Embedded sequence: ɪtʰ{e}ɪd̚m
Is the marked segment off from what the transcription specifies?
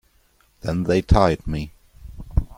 yes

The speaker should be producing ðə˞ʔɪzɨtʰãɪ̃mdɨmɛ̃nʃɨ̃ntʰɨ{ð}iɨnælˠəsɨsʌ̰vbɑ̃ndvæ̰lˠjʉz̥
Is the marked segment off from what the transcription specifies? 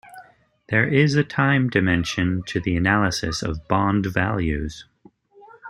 no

